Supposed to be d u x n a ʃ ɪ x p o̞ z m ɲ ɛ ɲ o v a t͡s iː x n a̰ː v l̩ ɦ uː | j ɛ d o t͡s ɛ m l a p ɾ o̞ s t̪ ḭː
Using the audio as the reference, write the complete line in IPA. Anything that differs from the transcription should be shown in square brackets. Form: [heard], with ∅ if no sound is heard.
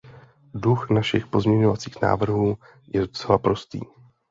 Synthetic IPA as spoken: d u x n a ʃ ɪ x p o̞ z m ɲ ɛ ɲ o v a t͡s iː x n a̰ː v [r̩] ɦ uː | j ɛ d o t͡s ɛ [∅] l a p ɾ o̞ s t̪ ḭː